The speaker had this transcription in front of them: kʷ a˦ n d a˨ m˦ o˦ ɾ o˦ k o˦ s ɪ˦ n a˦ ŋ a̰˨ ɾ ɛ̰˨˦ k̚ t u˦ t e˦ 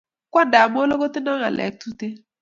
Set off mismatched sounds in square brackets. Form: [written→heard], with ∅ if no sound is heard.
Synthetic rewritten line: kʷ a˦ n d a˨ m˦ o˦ [ɾ→l] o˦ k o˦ [s→t] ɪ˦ n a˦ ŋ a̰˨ [ɾ→l] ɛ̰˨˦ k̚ t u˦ t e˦